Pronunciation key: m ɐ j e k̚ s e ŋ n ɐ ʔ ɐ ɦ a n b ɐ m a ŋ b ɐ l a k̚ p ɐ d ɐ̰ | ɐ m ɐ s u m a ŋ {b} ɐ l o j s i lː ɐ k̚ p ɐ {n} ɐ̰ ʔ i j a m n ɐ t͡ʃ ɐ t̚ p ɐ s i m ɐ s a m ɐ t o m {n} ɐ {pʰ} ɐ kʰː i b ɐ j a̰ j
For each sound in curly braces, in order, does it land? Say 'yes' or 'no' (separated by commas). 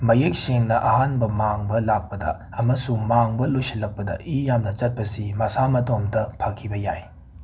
yes, no, no, yes